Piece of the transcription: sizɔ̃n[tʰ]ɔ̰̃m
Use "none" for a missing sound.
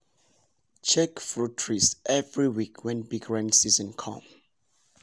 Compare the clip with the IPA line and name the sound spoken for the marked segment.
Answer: kʰ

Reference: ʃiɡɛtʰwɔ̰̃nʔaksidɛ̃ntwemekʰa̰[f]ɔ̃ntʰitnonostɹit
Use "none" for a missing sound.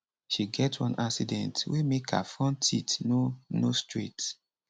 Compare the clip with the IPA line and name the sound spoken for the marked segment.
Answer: f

